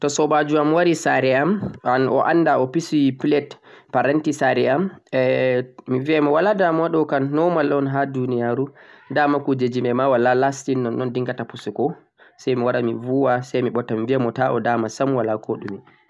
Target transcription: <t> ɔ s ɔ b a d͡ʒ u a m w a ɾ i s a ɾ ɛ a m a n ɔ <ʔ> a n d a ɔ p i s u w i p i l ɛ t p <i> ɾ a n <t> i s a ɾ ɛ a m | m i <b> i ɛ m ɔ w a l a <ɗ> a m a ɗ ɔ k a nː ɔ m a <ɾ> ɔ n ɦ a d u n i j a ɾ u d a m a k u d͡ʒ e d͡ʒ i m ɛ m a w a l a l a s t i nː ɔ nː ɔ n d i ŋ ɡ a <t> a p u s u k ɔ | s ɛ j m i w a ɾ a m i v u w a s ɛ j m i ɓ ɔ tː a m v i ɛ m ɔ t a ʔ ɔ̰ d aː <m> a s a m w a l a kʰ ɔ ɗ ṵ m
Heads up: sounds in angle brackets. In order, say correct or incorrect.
correct, correct, incorrect, correct, incorrect, incorrect, incorrect, correct, correct

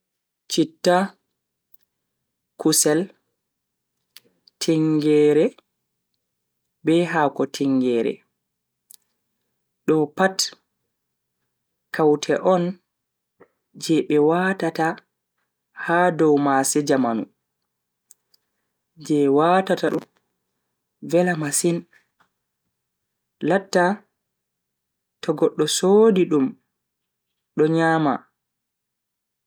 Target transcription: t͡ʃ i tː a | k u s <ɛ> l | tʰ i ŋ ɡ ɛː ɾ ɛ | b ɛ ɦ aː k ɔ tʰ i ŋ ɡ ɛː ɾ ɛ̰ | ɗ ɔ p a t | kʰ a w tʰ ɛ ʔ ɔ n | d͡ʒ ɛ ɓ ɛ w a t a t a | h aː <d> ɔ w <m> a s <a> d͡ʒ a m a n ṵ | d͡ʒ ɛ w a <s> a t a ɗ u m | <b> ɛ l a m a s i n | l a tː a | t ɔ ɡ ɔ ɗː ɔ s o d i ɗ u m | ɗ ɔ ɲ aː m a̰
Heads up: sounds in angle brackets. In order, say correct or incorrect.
correct, correct, correct, incorrect, incorrect, incorrect

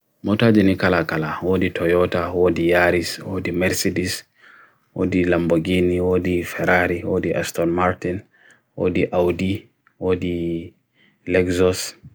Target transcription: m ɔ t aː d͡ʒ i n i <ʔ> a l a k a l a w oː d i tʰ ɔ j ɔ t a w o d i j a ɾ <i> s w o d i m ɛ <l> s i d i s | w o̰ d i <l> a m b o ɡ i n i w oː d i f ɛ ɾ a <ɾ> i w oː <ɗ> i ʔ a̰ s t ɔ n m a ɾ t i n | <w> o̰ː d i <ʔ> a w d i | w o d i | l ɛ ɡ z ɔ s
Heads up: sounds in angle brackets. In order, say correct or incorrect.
incorrect, correct, incorrect, correct, correct, incorrect, correct, correct

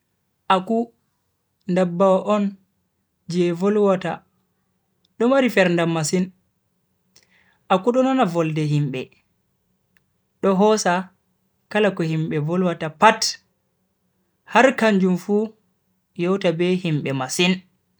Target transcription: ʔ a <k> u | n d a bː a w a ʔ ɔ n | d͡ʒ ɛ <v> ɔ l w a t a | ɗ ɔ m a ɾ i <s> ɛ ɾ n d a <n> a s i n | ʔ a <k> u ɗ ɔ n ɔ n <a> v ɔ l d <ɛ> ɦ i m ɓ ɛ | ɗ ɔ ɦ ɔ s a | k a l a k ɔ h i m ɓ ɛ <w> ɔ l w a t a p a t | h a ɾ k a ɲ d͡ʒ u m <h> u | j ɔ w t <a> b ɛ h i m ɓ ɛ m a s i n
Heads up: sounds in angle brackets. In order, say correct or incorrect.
correct, correct, incorrect, incorrect, correct, correct, correct, incorrect, incorrect, correct

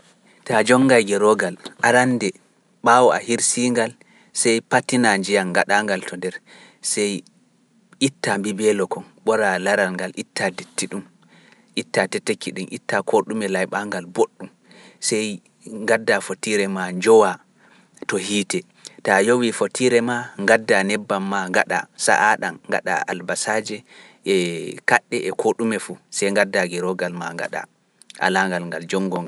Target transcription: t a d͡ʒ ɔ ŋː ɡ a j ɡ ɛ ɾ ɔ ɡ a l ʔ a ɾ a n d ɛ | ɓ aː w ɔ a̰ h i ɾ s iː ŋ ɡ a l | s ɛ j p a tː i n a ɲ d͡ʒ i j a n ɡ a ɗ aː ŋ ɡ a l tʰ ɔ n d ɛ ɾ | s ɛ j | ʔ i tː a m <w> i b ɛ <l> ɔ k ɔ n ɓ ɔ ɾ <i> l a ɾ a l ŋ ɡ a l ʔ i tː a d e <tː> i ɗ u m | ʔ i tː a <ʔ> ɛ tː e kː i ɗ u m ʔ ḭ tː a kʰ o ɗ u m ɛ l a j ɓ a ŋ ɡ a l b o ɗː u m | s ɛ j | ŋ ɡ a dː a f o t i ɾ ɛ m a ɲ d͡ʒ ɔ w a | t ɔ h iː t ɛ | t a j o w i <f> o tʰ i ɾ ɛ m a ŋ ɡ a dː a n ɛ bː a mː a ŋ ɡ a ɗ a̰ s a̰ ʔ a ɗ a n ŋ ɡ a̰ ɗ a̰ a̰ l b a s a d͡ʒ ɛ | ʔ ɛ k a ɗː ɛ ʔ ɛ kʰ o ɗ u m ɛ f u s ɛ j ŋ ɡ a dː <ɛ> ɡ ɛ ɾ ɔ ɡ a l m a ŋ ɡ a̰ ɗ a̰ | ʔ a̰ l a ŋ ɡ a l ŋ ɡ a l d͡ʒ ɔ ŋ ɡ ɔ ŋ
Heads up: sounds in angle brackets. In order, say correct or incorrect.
incorrect, correct, incorrect, correct, incorrect, correct, incorrect

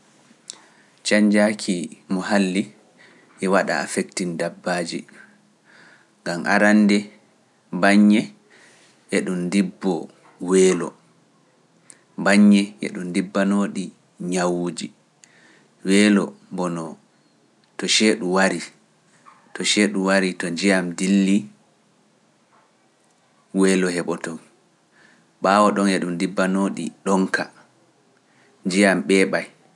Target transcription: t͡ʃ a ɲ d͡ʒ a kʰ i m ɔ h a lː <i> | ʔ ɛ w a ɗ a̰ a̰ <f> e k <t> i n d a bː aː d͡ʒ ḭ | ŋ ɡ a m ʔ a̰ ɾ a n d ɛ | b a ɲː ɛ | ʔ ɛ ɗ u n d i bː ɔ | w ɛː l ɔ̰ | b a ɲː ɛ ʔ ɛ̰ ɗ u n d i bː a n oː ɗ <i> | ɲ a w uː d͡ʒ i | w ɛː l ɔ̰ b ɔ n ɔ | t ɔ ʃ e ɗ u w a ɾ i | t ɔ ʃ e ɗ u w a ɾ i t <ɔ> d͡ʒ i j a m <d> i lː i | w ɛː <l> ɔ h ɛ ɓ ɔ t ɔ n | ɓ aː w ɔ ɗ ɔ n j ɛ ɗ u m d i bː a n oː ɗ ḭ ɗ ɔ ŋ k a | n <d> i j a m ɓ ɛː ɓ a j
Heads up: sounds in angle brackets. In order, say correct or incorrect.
correct, correct, correct, correct, correct, correct, correct, incorrect

